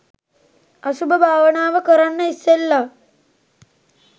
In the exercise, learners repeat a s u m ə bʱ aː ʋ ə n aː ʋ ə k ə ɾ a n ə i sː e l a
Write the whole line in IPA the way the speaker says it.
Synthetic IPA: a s u b ə bʱ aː ʋ ə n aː ʋ ə k ə ɾ a nː ə i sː e lː a